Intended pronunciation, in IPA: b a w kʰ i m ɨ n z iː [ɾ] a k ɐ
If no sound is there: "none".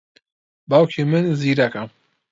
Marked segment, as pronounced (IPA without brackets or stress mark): ɾ